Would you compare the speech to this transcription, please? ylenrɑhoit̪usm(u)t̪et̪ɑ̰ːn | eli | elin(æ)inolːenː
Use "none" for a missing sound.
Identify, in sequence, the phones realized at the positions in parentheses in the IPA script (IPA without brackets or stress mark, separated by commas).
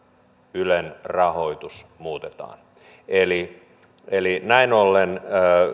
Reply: uː, æ